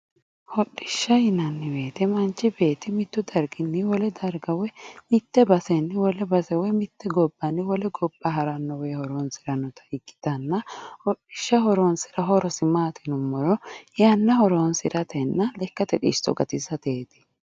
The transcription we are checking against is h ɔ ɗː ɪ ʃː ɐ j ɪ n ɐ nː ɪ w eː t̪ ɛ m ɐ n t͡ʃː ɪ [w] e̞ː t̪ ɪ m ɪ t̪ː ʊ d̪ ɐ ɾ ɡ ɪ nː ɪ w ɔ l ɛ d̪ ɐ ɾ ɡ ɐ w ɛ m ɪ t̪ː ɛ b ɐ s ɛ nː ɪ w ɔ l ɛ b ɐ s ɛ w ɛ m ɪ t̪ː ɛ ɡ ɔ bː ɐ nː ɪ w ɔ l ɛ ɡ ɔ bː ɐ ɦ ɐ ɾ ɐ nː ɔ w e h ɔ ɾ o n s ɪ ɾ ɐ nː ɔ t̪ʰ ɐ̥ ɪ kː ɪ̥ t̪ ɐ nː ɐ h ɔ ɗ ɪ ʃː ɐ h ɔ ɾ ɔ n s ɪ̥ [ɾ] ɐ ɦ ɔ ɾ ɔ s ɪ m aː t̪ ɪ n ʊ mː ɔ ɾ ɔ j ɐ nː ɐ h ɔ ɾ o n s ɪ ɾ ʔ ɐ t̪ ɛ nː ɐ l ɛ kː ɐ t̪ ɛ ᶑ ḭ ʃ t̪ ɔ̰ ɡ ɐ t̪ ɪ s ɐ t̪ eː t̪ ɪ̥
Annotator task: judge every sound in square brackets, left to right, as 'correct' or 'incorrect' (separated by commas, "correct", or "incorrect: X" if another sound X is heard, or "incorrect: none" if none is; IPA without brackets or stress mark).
incorrect: b, correct